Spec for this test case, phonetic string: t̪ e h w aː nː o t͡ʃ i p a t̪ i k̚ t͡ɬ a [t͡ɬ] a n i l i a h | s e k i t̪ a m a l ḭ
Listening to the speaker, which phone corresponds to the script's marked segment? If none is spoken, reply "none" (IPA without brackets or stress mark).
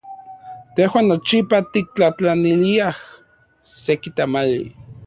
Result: t͡ɬ